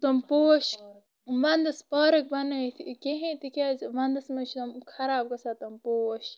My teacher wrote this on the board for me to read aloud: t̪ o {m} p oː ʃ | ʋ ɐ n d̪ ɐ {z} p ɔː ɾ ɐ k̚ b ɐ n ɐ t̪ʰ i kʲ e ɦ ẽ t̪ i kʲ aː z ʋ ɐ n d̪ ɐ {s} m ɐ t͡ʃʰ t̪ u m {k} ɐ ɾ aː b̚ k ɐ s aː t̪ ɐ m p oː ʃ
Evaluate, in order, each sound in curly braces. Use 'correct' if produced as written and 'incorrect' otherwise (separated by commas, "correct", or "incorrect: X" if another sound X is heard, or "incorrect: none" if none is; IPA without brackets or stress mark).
correct, incorrect: s, correct, incorrect: kʰ